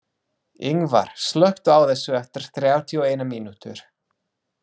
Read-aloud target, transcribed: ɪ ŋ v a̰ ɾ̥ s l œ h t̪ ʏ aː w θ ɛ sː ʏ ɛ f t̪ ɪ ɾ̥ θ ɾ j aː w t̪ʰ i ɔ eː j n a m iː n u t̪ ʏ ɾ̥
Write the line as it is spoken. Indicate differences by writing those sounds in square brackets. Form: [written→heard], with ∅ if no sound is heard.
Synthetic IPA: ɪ ŋ v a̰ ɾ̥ s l œ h t̪ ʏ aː w θ ɛ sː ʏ ɛ f t̪ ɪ ɾ̥ θ ɾ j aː w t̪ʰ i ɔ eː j n a m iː n u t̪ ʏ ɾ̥